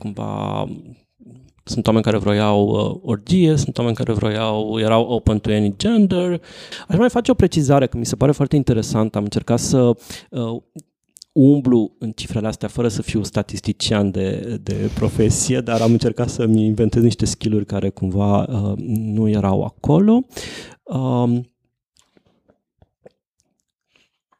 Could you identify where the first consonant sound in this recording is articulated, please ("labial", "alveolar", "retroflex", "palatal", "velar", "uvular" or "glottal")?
velar